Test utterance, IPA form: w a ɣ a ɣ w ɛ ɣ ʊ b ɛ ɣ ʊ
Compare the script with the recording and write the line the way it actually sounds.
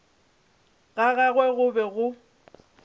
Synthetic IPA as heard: ɣ a ɣ a ɣ w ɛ ɣ ʊ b ɛ ɣ ʊ